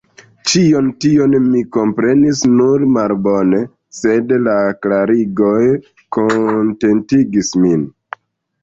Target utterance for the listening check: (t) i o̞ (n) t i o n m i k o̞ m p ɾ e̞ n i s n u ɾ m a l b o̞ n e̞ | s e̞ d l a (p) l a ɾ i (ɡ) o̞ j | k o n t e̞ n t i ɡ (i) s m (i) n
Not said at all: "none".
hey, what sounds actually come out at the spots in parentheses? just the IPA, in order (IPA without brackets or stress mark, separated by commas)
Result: t͡ʃ, n, k, ɡ, i, i